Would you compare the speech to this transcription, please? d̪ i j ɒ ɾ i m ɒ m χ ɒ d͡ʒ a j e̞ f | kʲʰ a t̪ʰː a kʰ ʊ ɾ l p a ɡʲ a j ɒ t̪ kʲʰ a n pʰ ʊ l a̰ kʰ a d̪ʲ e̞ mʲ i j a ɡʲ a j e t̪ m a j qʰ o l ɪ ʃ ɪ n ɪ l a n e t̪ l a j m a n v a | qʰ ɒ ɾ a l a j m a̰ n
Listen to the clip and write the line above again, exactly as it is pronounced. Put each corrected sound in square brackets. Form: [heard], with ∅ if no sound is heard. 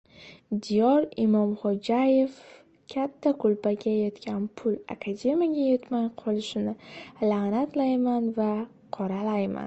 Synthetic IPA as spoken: d̪ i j ɒ ɾ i m ɒ m χ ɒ d͡ʒ a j e̞ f | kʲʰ a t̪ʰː a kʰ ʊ [∅] l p a ɡʲ a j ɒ t̪ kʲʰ a n pʰ ʊ l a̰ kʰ a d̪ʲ e̞ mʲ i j a ɡʲ a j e t̪ m a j qʰ [ɒ] l ɪ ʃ ɪ n ɪ l a n [a] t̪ l a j m a n v a | qʰ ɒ ɾ a l a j m a̰ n